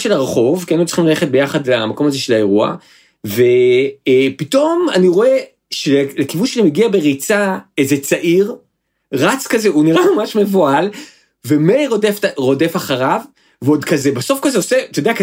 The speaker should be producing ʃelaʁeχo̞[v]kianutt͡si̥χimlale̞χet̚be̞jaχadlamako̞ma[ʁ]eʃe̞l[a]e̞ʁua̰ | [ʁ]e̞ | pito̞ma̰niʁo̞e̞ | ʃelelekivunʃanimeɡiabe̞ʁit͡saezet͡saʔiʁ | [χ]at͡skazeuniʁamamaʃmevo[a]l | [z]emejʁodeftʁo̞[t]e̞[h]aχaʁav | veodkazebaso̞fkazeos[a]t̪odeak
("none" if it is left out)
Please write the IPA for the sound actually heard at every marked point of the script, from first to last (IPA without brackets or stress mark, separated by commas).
v, z, a, v, ʁ, a, v, d, f, e